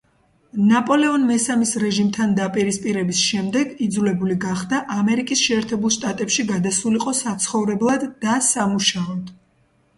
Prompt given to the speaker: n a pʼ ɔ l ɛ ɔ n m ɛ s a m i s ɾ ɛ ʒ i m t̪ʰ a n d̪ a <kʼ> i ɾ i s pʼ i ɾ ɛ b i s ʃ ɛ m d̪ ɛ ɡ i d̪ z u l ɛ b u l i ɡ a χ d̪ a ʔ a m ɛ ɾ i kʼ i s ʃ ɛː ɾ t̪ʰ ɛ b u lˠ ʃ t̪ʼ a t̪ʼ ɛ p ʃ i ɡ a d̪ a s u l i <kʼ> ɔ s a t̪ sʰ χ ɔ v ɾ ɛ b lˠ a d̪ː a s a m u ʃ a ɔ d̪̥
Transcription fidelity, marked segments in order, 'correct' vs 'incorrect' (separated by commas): incorrect, incorrect